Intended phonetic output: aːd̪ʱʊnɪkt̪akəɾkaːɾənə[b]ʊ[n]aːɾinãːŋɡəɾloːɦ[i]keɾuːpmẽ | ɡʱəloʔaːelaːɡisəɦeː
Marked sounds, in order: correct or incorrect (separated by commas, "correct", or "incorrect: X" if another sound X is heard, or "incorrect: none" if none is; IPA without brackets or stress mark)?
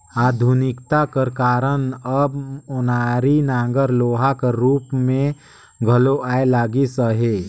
correct, correct, incorrect: a